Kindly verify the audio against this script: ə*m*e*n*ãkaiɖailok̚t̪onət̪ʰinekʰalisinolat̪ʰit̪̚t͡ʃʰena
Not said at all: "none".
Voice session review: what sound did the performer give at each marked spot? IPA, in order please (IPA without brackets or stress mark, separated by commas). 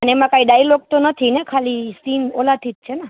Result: n, m